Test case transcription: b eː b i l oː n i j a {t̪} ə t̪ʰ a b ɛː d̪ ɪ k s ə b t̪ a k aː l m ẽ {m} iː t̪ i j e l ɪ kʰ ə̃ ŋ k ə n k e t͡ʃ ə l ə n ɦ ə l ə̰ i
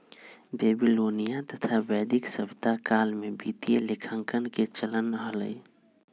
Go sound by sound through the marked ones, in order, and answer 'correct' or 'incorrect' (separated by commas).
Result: correct, incorrect